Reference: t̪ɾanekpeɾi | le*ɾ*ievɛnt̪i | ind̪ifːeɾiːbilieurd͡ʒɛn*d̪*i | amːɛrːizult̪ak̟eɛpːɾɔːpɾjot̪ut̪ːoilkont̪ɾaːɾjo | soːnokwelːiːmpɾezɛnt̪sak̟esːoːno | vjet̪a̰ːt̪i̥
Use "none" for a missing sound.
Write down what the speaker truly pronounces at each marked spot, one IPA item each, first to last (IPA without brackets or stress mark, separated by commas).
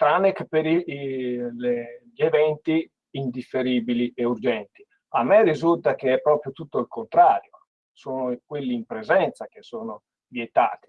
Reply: ʎ, t̪